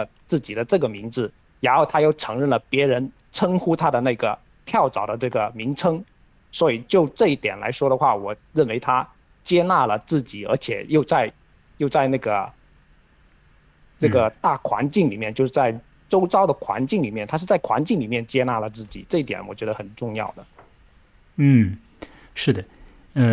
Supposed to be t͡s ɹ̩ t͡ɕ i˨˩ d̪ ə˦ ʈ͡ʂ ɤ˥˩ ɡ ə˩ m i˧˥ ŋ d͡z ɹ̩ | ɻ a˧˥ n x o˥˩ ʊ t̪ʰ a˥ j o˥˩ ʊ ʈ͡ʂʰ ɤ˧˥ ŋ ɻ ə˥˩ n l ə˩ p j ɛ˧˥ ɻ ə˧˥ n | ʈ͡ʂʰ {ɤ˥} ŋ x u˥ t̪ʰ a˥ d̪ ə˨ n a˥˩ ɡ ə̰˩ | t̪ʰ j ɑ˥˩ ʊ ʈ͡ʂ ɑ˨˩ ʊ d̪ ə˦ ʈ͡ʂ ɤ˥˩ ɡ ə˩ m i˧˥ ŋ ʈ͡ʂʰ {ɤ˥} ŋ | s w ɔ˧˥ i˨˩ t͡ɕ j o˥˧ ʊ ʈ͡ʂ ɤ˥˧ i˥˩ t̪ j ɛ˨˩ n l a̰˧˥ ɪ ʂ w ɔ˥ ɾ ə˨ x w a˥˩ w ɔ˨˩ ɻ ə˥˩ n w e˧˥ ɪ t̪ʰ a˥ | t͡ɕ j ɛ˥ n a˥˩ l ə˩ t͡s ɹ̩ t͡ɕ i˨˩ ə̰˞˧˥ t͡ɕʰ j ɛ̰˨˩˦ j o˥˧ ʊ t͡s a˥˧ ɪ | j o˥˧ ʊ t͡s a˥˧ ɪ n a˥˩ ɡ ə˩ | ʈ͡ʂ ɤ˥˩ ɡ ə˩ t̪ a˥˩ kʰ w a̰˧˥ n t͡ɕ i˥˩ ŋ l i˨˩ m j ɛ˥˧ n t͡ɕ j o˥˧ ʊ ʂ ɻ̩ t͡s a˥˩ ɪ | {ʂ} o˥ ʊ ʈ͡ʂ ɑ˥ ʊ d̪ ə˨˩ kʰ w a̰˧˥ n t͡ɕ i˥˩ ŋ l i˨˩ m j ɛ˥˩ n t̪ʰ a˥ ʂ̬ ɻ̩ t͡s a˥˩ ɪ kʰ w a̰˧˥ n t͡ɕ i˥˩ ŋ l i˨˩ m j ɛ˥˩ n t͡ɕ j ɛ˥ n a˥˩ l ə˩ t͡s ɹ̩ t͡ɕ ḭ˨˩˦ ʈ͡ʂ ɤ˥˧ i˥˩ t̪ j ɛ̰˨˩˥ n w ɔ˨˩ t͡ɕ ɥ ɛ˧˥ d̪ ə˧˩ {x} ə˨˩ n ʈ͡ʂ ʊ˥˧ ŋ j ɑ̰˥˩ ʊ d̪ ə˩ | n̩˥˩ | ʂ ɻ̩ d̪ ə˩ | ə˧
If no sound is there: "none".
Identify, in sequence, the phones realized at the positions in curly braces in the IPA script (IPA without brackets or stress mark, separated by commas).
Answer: ɤ˥, ɤ˥, ʈ͡ʂ, x